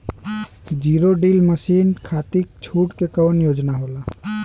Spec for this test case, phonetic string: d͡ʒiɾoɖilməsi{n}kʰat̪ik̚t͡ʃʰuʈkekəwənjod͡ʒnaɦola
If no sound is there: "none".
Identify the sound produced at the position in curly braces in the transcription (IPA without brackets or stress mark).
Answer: n